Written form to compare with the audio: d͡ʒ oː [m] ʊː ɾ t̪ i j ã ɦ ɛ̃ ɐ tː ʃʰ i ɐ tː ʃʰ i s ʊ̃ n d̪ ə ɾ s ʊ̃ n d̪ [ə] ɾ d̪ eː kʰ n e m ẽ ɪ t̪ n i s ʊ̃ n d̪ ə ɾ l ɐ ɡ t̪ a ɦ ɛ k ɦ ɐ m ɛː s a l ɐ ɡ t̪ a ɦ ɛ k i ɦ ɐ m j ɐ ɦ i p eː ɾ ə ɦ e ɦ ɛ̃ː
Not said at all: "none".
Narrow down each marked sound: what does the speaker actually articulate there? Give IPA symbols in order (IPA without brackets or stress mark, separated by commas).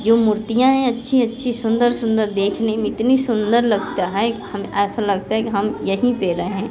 m, ə